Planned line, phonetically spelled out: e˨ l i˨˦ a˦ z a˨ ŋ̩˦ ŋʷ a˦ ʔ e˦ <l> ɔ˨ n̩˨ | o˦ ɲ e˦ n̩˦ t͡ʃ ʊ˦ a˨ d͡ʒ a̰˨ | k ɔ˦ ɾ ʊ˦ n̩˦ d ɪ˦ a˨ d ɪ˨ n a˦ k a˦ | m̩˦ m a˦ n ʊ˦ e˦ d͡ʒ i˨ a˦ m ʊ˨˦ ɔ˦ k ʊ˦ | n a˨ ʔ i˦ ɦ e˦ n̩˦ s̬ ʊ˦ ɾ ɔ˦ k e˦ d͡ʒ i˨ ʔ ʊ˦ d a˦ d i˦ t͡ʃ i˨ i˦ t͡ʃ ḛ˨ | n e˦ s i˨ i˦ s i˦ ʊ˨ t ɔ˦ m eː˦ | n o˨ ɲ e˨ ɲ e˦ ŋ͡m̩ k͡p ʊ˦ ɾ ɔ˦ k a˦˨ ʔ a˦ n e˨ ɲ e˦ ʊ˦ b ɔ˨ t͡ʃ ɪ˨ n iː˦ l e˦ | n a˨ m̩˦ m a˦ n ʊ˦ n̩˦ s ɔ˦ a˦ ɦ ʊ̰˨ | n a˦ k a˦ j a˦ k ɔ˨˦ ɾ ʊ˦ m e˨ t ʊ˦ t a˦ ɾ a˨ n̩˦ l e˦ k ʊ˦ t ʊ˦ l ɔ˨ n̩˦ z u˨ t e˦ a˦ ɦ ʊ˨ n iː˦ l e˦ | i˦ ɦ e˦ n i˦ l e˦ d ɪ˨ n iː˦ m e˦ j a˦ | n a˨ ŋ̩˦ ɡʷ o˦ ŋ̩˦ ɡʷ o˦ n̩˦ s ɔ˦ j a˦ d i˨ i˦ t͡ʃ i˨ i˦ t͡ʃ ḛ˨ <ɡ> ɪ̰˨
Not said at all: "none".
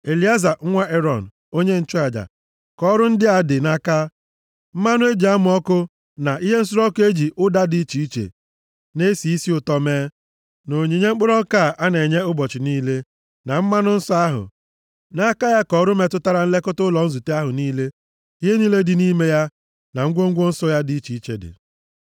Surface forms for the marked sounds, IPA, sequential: ɾ, d

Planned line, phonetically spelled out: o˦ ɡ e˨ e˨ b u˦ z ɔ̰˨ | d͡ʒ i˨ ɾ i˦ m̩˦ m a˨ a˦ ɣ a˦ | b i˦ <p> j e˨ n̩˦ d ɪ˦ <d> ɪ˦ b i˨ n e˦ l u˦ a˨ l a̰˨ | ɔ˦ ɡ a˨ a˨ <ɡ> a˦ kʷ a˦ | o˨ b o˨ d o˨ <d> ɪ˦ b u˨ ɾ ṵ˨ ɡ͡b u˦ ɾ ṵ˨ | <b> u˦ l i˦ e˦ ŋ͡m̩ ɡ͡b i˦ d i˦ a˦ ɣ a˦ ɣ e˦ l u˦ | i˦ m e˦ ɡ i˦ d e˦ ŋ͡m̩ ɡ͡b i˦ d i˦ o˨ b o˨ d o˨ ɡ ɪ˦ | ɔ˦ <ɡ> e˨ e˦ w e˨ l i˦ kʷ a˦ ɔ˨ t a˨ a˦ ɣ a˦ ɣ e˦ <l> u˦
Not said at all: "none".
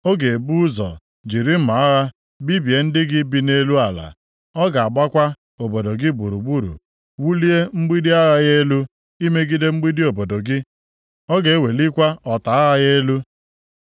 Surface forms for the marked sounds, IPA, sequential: b, ɡ, ɡ͡b, ɡ, w, ɡ, l

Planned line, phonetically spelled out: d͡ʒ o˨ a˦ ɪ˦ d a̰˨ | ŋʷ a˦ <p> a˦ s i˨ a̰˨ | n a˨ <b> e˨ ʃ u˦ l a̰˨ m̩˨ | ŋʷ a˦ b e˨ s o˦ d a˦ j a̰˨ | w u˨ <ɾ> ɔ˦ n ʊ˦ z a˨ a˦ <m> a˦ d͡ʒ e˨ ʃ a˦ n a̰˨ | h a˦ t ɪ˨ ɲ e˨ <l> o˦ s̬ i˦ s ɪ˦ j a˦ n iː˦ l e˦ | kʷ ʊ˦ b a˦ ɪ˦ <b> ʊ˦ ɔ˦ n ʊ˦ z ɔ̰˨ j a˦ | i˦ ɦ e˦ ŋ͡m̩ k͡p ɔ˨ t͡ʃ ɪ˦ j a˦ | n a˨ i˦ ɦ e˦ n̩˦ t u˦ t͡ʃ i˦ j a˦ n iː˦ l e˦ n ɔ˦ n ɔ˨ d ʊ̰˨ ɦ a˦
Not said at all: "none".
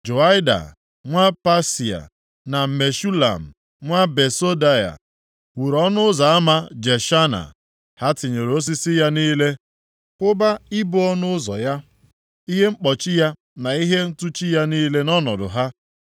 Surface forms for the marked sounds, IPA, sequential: p, m, ɾ, m, ɾ, b

